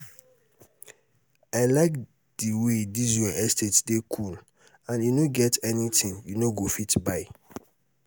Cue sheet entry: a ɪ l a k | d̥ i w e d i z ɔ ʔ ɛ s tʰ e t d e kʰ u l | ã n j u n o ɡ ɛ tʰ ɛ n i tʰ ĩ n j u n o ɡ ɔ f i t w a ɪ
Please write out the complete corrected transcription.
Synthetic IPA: a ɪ l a k | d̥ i w e d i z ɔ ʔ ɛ s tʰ e t d e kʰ u l | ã n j u n o ɡ ɛ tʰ ɛ n i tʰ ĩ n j u n o ɡ o f i t b a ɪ